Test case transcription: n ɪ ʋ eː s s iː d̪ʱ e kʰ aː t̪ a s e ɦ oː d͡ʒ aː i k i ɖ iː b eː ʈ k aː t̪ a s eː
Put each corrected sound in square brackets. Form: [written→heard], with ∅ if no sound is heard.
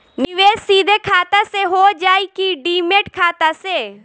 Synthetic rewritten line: n ɪ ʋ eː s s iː d̪ʱ e kʰ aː t̪ a s e ɦ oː d͡ʒ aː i k i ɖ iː [b→m] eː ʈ [k→kʰ] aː t̪ a s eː

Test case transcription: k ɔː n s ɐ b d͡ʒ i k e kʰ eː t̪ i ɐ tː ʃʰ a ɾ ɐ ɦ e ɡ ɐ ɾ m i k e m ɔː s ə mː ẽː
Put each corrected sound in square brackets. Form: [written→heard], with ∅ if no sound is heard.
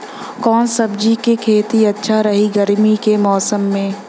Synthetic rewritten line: k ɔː n s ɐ b d͡ʒ i k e kʰ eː t̪ i ɐ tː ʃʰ a ɾ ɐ ɦ [e→i] ɡ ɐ ɾ m i k e m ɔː s ə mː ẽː

